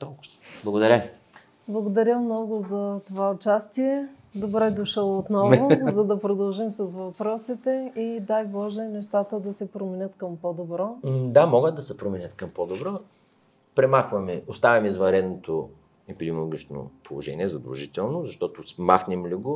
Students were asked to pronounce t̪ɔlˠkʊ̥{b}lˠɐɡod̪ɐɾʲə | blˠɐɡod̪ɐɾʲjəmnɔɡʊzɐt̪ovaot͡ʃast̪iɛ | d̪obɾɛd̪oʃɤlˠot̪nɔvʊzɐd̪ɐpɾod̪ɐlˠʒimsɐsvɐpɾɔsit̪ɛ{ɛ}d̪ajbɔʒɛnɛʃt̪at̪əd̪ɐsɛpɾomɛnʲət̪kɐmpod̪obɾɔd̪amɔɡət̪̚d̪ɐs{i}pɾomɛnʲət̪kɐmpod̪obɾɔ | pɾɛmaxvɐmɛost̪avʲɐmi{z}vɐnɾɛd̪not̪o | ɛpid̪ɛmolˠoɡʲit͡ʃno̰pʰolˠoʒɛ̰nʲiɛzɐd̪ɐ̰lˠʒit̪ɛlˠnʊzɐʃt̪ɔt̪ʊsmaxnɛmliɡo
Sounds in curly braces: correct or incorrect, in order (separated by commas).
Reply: correct, incorrect, incorrect, correct